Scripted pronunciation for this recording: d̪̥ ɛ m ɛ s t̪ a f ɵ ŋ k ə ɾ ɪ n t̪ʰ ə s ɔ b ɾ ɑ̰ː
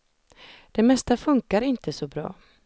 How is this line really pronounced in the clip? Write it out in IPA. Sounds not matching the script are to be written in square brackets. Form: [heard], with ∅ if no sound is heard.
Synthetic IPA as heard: d̪̥ ɛ m ɛ s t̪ a f ɵ ŋ k [a] ɾ ɪ n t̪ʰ ə s ɔ b ɾ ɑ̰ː